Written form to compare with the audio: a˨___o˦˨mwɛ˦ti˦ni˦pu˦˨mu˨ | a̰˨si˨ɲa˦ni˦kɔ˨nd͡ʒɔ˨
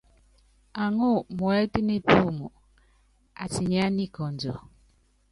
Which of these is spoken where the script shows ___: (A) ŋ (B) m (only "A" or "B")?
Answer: A